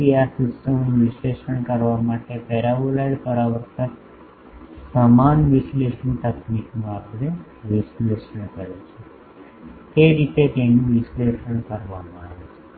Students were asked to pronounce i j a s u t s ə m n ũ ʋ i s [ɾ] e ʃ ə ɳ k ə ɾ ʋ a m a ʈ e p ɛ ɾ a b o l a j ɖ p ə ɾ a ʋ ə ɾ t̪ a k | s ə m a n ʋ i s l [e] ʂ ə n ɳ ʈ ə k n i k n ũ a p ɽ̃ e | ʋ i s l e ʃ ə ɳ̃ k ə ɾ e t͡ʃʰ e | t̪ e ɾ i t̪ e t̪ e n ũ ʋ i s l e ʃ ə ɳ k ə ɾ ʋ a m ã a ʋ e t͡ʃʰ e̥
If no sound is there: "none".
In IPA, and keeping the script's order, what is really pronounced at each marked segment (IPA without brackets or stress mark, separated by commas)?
l, e